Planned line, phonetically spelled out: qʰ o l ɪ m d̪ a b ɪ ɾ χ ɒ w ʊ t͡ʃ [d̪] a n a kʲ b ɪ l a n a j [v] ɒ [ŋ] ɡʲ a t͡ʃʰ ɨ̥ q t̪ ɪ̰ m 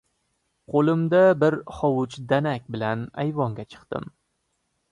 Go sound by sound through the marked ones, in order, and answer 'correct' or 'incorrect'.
correct, correct, correct

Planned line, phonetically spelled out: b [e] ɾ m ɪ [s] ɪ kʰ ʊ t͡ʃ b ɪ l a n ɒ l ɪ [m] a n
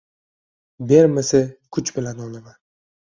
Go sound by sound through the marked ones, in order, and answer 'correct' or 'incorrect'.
correct, correct, correct

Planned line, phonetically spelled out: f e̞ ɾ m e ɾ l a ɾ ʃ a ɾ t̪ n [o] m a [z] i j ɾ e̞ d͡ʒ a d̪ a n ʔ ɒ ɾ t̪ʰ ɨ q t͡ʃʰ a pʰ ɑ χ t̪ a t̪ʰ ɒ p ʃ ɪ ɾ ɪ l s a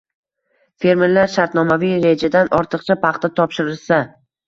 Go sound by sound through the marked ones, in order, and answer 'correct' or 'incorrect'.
incorrect: ɒ, incorrect: v

